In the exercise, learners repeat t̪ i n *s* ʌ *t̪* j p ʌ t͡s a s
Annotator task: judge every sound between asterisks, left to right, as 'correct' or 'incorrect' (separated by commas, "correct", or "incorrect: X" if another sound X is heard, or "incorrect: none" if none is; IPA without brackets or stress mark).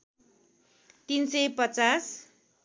correct, incorrect: none